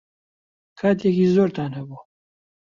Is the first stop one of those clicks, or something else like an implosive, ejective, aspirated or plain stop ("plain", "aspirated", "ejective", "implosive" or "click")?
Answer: aspirated